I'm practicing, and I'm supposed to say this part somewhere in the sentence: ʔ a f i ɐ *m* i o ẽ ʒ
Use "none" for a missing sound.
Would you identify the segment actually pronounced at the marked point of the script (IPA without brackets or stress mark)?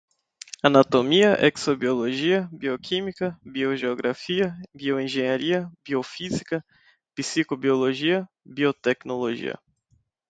b